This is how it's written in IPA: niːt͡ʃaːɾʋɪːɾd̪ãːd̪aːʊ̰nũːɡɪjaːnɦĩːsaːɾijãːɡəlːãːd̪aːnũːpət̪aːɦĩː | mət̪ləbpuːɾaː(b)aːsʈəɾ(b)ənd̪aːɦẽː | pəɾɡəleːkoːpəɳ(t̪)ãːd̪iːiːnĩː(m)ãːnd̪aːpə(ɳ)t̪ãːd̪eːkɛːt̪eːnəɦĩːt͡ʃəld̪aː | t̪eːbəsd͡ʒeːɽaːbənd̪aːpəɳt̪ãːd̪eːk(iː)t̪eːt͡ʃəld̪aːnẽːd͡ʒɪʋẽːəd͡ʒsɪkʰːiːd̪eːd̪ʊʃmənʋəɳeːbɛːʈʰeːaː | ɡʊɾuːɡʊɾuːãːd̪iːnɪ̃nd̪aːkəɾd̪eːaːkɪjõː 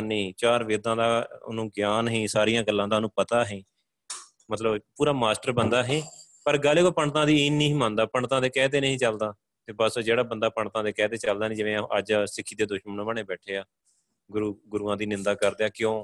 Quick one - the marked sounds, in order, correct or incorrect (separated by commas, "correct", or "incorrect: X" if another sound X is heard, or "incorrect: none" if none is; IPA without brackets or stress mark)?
incorrect: m, correct, correct, correct, correct, incorrect: ɛː